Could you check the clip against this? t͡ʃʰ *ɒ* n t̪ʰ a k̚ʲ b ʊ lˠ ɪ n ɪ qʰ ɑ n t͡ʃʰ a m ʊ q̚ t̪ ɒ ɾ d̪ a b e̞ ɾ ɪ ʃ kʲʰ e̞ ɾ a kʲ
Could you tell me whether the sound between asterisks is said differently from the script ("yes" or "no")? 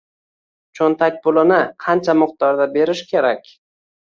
yes